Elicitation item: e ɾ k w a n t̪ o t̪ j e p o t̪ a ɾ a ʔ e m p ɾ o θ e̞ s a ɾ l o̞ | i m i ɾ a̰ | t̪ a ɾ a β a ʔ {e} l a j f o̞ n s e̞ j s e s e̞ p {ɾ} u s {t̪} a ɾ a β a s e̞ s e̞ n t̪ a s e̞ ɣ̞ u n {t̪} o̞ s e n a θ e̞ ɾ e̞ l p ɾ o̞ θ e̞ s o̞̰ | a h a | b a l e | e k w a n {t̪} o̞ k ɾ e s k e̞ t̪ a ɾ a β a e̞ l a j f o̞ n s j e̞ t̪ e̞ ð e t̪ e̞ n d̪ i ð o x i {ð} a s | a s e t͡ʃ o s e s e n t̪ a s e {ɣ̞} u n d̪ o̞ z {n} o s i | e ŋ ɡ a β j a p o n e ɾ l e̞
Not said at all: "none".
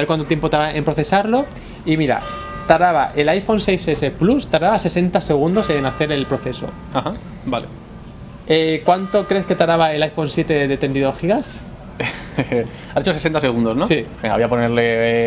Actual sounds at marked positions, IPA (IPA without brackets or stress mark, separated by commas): e, l, t̪, d̪, t̪, ɣ, ɣ̞, n